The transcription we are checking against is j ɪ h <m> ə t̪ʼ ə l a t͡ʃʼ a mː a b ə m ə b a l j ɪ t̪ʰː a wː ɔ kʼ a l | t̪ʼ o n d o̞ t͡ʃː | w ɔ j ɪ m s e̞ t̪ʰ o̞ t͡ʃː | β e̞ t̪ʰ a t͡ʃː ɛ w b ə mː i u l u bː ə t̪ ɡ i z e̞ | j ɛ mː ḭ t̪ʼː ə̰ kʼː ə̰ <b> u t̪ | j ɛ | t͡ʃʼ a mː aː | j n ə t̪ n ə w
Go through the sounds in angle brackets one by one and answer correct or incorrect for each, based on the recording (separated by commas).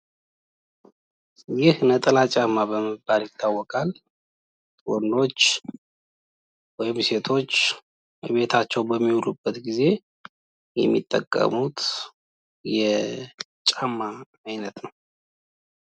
incorrect, incorrect